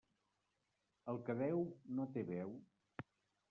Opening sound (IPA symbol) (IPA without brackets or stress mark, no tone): ə